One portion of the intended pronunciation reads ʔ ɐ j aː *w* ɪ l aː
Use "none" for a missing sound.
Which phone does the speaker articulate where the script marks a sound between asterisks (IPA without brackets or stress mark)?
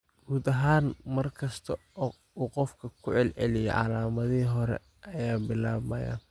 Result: b